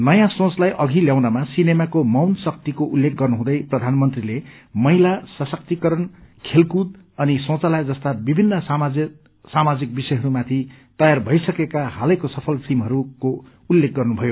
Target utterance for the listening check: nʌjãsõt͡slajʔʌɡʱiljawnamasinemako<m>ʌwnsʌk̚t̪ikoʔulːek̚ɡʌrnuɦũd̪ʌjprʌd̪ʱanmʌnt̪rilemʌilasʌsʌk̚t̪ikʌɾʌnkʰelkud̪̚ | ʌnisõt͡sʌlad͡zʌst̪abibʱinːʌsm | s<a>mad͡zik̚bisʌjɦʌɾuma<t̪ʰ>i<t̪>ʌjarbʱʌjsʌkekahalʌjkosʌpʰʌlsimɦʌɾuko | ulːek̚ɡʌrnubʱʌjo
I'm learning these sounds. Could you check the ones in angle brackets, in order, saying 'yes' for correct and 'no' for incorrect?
yes, yes, yes, yes

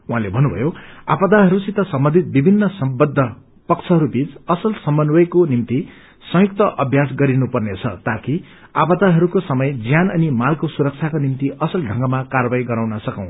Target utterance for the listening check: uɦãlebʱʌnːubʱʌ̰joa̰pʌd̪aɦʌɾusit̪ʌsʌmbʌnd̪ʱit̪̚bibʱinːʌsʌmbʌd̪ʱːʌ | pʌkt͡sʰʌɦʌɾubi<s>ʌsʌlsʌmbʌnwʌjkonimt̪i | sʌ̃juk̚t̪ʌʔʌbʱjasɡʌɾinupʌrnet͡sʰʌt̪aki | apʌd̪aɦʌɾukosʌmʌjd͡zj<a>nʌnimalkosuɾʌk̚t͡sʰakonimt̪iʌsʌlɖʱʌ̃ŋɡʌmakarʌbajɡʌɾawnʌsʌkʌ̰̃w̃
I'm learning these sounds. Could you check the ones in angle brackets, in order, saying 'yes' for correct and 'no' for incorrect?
no, yes

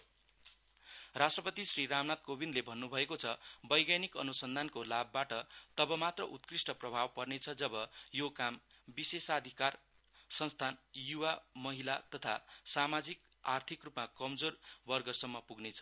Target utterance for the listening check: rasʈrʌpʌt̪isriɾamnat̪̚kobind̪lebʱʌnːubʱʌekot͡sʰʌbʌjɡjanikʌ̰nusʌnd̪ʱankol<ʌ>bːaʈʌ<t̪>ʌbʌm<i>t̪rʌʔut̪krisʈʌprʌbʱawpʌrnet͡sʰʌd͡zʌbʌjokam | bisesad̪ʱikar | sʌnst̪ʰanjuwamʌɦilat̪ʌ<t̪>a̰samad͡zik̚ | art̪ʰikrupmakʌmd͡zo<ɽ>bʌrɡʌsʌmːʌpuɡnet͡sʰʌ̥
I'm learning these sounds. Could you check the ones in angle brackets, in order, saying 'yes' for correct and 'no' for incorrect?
no, yes, no, no, no

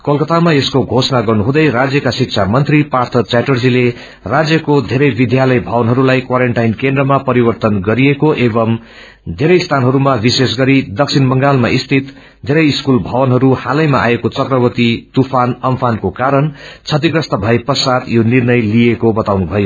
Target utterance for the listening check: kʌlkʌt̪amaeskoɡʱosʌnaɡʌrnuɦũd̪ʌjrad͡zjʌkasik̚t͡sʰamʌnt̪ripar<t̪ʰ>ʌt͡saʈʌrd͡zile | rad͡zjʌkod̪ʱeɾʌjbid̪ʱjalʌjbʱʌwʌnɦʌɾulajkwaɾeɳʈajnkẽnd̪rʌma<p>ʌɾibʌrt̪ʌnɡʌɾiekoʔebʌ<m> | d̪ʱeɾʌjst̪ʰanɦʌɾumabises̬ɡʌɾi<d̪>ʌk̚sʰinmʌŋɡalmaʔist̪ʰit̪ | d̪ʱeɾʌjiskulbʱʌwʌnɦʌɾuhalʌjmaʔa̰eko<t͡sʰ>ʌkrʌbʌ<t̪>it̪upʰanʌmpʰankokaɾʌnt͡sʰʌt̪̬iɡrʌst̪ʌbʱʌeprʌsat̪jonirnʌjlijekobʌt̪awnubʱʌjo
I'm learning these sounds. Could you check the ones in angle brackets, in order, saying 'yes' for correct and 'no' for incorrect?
yes, yes, yes, yes, no, yes

